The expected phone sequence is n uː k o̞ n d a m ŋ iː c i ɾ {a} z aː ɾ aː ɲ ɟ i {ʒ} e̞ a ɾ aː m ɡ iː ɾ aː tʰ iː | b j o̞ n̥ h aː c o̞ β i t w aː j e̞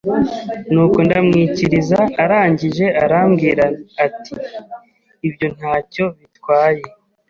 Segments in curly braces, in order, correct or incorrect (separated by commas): incorrect, correct